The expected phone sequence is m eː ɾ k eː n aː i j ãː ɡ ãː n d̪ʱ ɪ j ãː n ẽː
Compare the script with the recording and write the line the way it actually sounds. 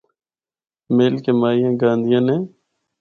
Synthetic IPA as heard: m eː l k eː m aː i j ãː ɡ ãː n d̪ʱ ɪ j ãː n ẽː